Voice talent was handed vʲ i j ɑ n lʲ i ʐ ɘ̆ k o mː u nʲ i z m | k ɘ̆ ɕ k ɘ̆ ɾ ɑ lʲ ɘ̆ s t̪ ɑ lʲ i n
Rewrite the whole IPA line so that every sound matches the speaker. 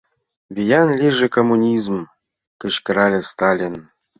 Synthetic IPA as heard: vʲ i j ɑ n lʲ i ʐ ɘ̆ k o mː u nʲ i z m | k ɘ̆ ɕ k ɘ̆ ɾ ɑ lʲ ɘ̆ s t̪ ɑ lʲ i n